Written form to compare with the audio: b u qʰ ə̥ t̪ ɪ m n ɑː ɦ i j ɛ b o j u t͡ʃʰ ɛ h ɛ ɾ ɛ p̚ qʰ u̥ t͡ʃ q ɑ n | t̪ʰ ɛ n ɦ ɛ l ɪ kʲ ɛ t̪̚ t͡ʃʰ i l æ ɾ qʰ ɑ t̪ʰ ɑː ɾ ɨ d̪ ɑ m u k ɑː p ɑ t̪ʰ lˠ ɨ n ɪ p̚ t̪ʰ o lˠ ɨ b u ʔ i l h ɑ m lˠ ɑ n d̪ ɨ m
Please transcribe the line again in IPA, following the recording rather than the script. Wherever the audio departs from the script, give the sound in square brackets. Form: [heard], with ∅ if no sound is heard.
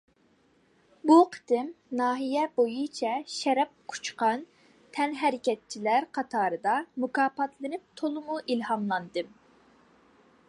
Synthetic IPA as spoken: b u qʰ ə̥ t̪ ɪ m n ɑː ɦ i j ɛ b o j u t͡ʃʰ ɛ [ʃ] ɛ ɾ ɛ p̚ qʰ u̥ t͡ʃ q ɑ n | t̪ʰ ɛ n ɦ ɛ [ɾ] ɪ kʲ ɛ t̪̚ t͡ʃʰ i l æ ɾ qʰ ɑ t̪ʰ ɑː ɾ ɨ d̪ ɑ m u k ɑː p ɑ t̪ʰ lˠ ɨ n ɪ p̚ t̪ʰ o lˠ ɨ [m] u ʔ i l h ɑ m lˠ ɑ n d̪ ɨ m

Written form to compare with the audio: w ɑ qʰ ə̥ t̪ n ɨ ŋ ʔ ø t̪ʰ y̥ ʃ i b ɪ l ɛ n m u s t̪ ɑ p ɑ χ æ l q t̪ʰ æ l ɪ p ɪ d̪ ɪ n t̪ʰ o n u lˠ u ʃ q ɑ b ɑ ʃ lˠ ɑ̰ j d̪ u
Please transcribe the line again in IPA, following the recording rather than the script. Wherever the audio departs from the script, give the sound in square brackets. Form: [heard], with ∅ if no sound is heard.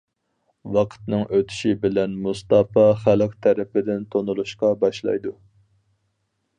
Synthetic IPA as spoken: w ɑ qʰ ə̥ t̪ n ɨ ŋ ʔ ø t̪ʰ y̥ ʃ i b ɪ l ɛ n m u s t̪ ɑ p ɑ χ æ l q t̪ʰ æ [ɾ] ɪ p ɪ d̪ ɪ n t̪ʰ o n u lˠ u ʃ q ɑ b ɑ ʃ lˠ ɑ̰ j d̪ u

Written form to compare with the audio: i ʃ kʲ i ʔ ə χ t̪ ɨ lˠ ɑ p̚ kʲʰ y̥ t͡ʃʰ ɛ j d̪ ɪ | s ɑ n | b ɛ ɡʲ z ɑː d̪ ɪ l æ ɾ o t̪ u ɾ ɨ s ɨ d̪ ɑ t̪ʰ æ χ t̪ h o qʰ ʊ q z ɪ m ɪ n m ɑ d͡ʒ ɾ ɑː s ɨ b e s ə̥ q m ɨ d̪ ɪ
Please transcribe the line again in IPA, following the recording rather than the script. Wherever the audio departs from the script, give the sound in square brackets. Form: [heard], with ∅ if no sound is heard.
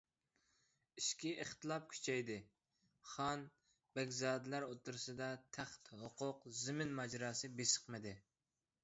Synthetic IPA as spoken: i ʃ kʲ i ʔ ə χ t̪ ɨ lˠ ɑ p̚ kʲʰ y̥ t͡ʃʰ ɛ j d̪ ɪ | [χ] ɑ n | b ɛ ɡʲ z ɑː d̪ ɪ l æ ɾ o t̪ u ɾ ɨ s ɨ d̪ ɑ t̪ʰ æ χ t̪ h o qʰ ʊ q z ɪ m ɪ n m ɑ d͡ʒ ɾ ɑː s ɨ b e s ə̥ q m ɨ d̪ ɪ

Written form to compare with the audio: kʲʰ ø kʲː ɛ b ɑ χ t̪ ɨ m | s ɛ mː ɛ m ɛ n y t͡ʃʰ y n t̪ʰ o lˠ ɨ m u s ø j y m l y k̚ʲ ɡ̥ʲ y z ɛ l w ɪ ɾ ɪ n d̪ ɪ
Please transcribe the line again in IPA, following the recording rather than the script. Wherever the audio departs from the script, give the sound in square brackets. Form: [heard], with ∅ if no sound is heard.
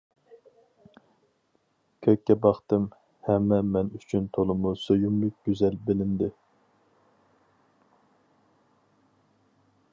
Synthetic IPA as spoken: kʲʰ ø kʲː ɛ b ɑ χ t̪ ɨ m | [h] ɛ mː ɛ m ɛ n y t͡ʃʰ y n t̪ʰ o lˠ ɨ m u s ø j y m l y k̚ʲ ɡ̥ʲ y z ɛ l [b] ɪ [l] ɪ n d̪ ɪ

